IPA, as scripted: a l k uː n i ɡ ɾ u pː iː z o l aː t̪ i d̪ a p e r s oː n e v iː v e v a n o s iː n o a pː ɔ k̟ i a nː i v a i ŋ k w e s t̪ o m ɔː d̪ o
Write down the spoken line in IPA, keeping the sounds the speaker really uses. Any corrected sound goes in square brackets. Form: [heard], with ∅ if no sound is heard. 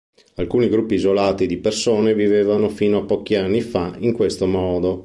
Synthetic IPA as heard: a l k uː n i ɡ ɾ u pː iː z o l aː t̪ i d̪ [i] p e r s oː n e v [i] v e v a n o [f] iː n o a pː ɔ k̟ i a nː i [f] a i ŋ k w e s t̪ o m ɔː d̪ o